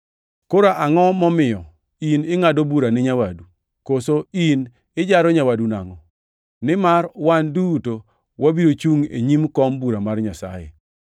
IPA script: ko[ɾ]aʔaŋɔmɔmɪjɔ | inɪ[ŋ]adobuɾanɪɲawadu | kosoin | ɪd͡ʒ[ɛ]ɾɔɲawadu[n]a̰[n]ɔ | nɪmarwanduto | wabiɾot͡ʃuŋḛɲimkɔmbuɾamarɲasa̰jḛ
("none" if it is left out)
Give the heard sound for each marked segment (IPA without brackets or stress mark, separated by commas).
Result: ɾ, ŋ, a, n, ŋ